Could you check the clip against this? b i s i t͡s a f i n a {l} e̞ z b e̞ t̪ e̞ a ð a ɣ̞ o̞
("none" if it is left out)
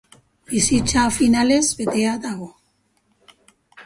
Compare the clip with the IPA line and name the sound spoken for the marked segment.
l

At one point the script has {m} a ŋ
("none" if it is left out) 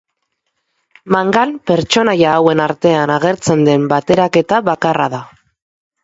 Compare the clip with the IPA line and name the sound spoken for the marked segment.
m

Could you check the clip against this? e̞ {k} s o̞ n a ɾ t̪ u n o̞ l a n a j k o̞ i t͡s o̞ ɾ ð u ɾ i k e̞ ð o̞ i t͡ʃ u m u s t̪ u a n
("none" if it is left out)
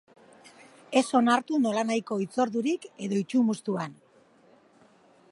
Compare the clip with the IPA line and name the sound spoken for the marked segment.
none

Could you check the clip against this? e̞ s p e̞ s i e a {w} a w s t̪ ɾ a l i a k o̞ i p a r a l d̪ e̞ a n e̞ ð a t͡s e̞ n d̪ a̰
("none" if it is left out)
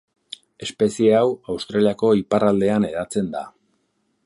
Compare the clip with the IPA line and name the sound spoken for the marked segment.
w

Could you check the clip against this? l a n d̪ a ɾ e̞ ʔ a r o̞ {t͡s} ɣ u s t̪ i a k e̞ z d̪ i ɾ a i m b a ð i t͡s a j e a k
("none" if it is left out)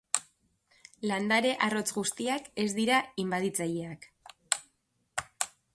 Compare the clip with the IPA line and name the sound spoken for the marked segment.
t͡s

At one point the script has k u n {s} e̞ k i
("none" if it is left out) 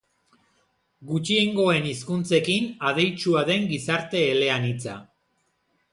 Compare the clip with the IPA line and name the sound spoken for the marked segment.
t͡s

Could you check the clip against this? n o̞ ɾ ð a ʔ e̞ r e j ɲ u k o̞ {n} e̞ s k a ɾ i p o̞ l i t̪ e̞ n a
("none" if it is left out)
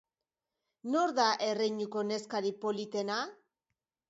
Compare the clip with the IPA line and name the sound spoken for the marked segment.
n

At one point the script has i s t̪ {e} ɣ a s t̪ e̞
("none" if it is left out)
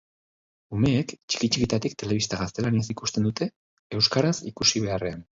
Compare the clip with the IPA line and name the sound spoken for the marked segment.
a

